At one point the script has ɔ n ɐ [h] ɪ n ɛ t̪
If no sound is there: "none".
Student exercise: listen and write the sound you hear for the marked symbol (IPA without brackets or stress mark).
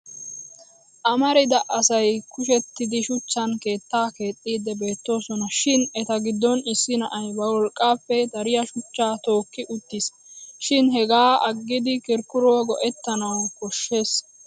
ʃ